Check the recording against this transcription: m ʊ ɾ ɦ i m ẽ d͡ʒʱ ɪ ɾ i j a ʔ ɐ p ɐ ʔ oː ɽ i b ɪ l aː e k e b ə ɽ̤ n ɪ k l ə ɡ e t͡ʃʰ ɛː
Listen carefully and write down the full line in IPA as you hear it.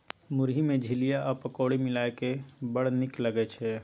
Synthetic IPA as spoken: m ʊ ɾ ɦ i m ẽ d͡ʒʱ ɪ l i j a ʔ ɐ p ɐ k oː ɽ i m ɪ l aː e k e b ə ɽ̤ n ɪ k l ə ɡ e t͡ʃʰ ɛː